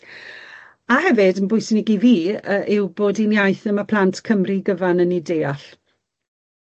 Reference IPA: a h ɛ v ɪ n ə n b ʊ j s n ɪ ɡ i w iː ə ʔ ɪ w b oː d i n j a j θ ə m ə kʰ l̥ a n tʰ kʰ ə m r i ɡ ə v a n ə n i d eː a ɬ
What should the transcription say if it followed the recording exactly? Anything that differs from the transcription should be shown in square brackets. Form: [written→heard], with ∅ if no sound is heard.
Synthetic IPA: a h ɛ v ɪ [n→d] ə n b ʊ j s n ɪ ɡ i [w→v] iː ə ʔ ɪ w b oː d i n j a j θ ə m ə [kʰ→pʰ] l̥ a n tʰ kʰ ə m r i ɡ ə v a n ə n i d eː a ɬ